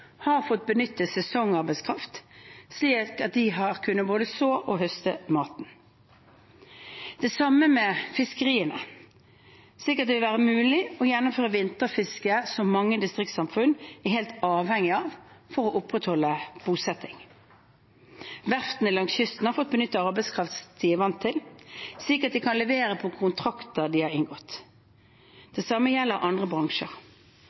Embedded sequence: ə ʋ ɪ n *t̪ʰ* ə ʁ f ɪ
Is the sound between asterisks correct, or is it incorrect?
incorrect